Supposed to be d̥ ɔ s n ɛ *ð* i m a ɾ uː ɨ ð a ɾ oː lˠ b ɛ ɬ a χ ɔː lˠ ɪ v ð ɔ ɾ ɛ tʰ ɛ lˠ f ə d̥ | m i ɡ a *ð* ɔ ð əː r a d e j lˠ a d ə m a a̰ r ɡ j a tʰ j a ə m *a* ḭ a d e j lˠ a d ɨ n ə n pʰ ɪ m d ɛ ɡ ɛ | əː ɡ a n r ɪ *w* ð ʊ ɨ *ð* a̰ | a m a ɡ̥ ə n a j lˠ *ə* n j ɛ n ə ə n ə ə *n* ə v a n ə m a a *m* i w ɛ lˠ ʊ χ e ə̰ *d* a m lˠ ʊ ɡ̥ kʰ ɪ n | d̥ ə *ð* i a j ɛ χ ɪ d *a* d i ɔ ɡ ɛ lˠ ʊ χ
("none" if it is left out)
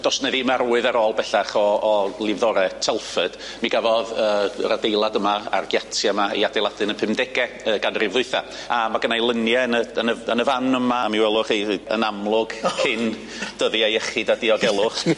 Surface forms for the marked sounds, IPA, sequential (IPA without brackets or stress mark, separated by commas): ð, v, a, v, θ, ə, n, m, n, ð, a